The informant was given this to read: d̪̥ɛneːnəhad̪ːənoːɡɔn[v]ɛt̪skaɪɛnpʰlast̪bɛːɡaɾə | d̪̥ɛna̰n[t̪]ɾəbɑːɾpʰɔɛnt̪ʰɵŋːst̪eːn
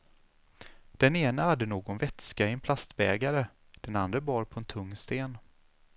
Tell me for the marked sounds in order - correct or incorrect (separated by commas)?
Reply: correct, incorrect